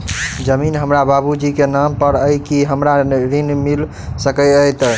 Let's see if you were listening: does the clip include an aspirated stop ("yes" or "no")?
no